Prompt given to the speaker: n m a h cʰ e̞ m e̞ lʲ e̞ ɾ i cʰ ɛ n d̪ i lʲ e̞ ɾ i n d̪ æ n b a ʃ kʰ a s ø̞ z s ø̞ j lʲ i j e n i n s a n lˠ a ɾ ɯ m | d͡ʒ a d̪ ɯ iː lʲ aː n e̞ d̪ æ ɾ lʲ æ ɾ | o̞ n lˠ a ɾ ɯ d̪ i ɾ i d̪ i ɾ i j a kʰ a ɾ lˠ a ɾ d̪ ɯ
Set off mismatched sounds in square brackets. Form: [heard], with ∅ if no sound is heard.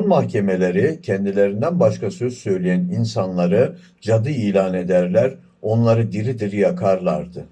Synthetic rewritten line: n m a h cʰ e̞ m e̞ lʲ e̞ ɾ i cʰ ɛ n d̪ i lʲ e̞ ɾ i n d̪ æ n b a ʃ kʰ a s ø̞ z s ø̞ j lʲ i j [æ] n i n s a n lˠ a ɾ ɯ [∅] | d͡ʒ a d̪ ɯ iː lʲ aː n e̞ d̪ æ ɾ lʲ æ ɾ | o̞ n lˠ a ɾ ɯ d̪ i ɾ i d̪ i ɾ i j a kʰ a ɾ lˠ a ɾ d̪ ɯ

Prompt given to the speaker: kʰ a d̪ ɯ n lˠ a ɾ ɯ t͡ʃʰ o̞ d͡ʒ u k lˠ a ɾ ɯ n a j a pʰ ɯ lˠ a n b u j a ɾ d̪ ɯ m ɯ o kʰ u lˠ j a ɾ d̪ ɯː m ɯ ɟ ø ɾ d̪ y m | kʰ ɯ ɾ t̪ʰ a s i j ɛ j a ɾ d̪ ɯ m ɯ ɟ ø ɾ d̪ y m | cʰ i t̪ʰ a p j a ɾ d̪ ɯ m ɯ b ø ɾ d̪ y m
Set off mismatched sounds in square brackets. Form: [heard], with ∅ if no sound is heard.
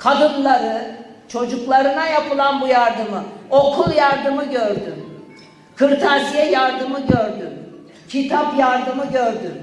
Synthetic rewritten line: kʰ a d̪ ɯ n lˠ a ɾ ɯ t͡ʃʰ o̞ d͡ʒ u k lˠ a ɾ ɯ n a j a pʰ ɯ lˠ a n b u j a ɾ d̪ ɯ m ɯ o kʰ u lˠ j a ɾ d̪ [ɯ] m ɯ ɟ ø ɾ d̪ y m | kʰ ɯ ɾ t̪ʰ a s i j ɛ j a ɾ d̪ ɯ m ɯ ɟ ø ɾ d̪ y m | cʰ i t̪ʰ a p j a ɾ d̪ ɯ m ɯ [ɟ] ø ɾ d̪ y m

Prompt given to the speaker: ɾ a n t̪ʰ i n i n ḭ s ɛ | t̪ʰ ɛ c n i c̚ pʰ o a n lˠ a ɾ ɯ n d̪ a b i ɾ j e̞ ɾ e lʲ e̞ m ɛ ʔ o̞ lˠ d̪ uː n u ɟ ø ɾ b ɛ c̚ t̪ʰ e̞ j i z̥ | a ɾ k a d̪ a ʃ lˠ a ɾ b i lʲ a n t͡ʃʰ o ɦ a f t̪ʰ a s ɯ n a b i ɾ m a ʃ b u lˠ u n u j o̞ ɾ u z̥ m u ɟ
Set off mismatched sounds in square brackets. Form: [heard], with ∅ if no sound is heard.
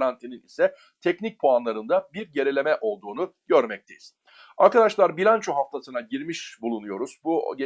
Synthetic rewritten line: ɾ a n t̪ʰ i n i n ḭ s ɛ | t̪ʰ ɛ c n i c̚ pʰ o a n lˠ a ɾ ɯ n d̪ a b i ɾ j e̞ ɾ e lʲ e̞ m ɛ ʔ o̞ lˠ d̪ uː n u ɟ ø ɾ [m] ɛ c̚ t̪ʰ e̞ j i z̥ | a ɾ k a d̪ a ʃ lˠ a ɾ b i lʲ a n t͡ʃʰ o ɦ a f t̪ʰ a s ɯ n a [ɟ] i ɾ m [i] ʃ b u lˠ u n u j o̞ ɾ u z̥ [b] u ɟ

